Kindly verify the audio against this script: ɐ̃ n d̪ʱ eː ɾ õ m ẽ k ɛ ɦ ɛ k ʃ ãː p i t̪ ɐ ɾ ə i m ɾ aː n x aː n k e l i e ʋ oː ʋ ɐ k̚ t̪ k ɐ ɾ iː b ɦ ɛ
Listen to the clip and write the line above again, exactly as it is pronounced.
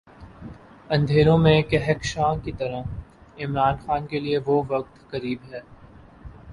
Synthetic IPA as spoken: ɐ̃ n d̪ʱ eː ɾ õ m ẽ k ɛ ɦ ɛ k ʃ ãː k i t̪ ɐ ɾ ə ɪ m ɾ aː n x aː n k e l i e ʋ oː ʋ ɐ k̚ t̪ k ɐ ɾ iː b ɦ ɛː

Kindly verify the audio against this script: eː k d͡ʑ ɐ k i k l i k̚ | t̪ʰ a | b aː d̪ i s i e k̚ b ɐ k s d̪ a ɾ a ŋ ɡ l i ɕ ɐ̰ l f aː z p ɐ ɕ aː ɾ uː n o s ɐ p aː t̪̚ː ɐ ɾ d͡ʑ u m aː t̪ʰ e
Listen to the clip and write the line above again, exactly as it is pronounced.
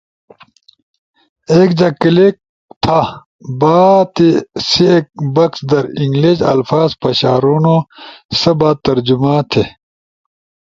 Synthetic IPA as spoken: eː k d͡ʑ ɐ k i l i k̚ | t̪ʰ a | b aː t̪ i s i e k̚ b ɐ k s d̪ ɐ ɾ i ŋ ɡ l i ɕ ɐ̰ l f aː z p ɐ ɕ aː ɾ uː n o s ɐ b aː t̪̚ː ɐ ɾ d͡ʑ u m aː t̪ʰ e

